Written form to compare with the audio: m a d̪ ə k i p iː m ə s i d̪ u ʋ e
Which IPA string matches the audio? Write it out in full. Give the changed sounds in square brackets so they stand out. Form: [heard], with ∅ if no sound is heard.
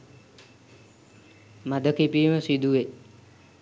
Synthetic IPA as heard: m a d̪ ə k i p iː m ə s i d̪ u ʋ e